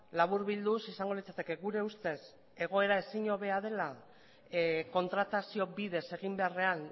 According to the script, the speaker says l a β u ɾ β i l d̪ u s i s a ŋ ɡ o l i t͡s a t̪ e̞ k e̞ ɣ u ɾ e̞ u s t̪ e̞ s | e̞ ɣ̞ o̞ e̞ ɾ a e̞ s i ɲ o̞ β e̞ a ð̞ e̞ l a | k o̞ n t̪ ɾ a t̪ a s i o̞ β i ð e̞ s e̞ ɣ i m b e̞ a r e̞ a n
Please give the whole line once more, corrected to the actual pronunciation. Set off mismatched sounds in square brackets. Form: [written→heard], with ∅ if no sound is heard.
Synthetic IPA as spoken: l a β u ɾ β i l d̪ u s i s a ŋ ɡ o l i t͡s a t̪ e̞ k e̞ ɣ u ɾ e̞ u s t̪ e̞ s | e̞ ɣ̞ o̞ e̞ ɾ a e̞ s i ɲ o̞ β e̞ a ð̞ e̞ l a | k o̞ n t̪ ɾ a t̪ a s i o̞ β i ð e̞ s e̞ ɣ i m b e̞ a r e̞ a n

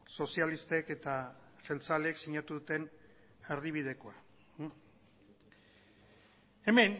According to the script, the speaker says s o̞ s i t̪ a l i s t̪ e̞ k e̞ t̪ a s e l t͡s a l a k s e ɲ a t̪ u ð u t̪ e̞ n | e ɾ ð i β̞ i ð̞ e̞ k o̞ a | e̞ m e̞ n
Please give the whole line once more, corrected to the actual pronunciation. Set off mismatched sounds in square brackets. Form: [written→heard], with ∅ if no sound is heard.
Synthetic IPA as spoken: s o̞ s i [t̪→∅] a l i s t̪ e̞ k e̞ t̪ a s e l t͡s a l [a→e] k s [e→i] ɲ a t̪ u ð u t̪ e̞ n | e ɾ ð i β̞ i ð̞ e̞ k o̞ a | e̞ m e̞ n

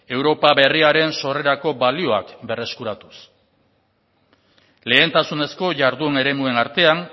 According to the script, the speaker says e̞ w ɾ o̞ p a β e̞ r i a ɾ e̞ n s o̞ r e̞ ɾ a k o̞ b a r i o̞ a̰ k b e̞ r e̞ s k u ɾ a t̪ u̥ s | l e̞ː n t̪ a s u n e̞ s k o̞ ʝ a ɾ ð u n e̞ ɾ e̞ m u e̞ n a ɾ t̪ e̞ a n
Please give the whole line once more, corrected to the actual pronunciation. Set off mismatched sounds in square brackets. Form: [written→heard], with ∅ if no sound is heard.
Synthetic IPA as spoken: e̞ w ɾ o̞ p a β e̞ r i a ɾ e̞ n s o̞ r e̞ ɾ a k o̞ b a [r→l] i o̞ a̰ k b e̞ r e̞ s k u ɾ a t̪ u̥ s | l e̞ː n t̪ a s u n e̞ s k o̞ ʝ a ɾ ð u n e̞ ɾ e̞ m u e̞ n a ɾ t̪ e̞ a n

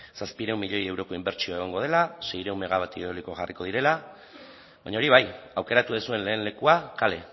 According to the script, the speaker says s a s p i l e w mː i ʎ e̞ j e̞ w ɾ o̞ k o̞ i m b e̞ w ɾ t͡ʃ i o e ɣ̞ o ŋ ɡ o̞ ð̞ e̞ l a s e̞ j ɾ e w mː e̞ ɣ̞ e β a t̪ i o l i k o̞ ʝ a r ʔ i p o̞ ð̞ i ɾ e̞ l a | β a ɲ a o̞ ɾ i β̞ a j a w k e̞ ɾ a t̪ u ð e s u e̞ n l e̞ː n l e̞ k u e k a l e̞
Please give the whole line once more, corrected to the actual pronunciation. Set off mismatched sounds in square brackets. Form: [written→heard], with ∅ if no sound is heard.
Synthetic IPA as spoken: s a s p i [l→ɾ] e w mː i ʎ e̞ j e̞ w ɾ o̞ k o̞ i m b e̞ [w→∅] ɾ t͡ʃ i o e ɣ̞ o ŋ ɡ o̞ ð̞ e̞ l a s e̞ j ɾ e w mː e̞ ɣ̞ [e→a] β a t̪ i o l i k o̞ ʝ a r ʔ i [p→k] o̞ ð̞ i ɾ e̞ l a | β a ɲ a o̞ ɾ i β̞ a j a w k e̞ ɾ a t̪ u ð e s u e̞ n l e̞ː n l e̞ k u [e→a] k a l e̞

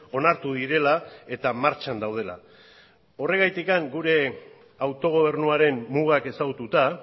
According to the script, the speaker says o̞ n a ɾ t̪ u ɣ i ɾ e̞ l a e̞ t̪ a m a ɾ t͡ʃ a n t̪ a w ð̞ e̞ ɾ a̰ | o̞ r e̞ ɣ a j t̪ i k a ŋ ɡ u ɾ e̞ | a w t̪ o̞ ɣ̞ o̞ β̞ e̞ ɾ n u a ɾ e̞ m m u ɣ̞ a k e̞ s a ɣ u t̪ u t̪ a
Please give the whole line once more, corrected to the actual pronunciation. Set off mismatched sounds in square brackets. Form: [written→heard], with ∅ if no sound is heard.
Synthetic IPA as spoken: o̞ n a ɾ t̪ u [ɣ→ð] i ɾ e̞ l a e̞ t̪ a m a ɾ t͡ʃ a n [t̪→d̪] a w ð̞ e̞ [ɾ→l] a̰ | o̞ r e̞ ɣ a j t̪ i k a ŋ ɡ u ɾ e̞ | a w t̪ o̞ ɣ̞ o̞ β̞ e̞ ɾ n u a ɾ e̞ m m u ɣ̞ a k e̞ s a ɣ u t̪ u t̪ a

